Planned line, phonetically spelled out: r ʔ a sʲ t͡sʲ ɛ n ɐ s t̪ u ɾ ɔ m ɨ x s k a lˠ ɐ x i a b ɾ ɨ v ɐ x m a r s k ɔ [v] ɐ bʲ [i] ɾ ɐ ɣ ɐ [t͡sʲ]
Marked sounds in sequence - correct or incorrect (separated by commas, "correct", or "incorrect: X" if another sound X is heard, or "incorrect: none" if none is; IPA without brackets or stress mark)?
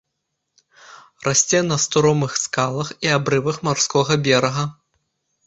incorrect: ɣ, incorrect: ɛ, incorrect: none